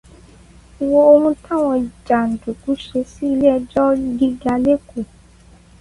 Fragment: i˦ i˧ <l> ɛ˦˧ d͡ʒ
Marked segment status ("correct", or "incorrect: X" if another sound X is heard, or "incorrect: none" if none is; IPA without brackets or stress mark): correct